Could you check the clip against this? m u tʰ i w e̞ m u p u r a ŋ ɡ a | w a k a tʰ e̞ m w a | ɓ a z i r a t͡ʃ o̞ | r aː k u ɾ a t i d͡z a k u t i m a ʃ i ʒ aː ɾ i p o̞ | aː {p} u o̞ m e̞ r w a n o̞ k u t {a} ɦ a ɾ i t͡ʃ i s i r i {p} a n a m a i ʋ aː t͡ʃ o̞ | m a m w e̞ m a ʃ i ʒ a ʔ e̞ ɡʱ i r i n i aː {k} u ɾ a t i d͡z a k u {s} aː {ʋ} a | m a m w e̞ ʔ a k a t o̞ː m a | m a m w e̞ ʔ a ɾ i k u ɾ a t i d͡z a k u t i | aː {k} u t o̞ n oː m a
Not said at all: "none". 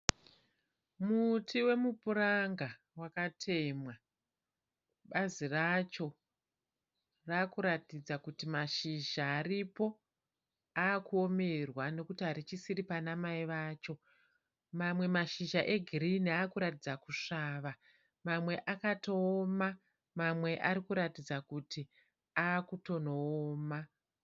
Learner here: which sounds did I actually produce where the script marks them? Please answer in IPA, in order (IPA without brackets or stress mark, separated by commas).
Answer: k, i, p, k, ʂ, ʋ, k